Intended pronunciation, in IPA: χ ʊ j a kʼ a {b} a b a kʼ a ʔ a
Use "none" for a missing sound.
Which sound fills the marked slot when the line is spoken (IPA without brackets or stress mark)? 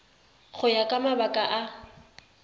m